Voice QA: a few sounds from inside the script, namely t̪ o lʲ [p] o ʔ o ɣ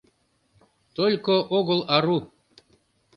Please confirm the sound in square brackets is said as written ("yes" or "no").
no